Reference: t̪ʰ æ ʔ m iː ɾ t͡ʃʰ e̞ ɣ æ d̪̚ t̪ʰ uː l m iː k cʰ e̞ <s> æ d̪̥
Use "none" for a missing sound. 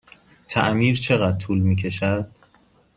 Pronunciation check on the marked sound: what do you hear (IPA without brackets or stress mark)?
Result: ʃ